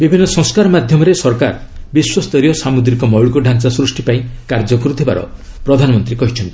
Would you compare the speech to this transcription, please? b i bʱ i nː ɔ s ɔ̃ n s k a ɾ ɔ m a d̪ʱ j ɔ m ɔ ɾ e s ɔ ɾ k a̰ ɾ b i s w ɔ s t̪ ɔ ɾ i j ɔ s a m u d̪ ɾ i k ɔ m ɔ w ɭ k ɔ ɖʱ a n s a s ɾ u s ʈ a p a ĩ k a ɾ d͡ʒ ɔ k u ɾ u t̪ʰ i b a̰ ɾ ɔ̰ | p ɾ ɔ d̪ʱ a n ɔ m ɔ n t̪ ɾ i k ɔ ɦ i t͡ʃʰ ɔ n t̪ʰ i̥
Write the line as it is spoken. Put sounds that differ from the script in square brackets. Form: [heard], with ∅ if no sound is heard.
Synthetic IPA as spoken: b i bʱ i nː ɔ s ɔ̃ [ŋ] s k a ɾ ɔ m a d̪ʱ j ɔ m ɔ ɾ e s ɔ ɾ k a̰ ɾ b i s w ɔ s t̪ ɔ ɾ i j ɔ s a m u d̪ ɾ i k ɔ m ɔ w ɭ k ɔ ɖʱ a n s a s ɾ u s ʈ [i] p a ĩ k a ɾ d͡ʒ ɔ k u ɾ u t̪ʰ i b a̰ ɾ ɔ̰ | p ɾ ɔ d̪ʱ a n ɔ m ɔ n t̪ ɾ i k ɔ ɦ i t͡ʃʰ ɔ n [t̪] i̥